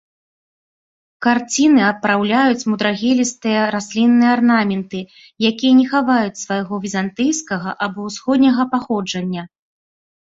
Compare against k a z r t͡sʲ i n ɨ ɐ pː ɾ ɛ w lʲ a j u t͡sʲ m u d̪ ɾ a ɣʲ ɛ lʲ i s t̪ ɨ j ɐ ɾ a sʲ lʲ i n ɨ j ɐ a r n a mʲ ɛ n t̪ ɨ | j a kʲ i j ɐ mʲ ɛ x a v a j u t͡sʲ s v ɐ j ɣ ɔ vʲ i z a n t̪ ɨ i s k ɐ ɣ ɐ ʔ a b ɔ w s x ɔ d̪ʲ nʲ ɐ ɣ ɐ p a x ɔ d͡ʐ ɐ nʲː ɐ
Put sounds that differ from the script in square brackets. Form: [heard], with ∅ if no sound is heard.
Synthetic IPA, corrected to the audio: k a [∅] r t͡sʲ i n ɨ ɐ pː ɾ [a] w lʲ a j u t͡sʲ m u d̪ ɾ a ɣʲ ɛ lʲ i s t̪ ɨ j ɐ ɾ a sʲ lʲ i [nː] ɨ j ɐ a r n a mʲ ɛ n t̪ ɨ | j a kʲ i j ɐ [nʲ] ɛ x a v a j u t͡sʲ s v [a] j ɣ ɔ vʲ i z a n t̪ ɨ [j] s k ɐ ɣ ɐ ʔ a b ɔ w s x ɔ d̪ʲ nʲ ɐ ɣ ɐ p a x ɔ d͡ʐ ɐ nʲː ɐ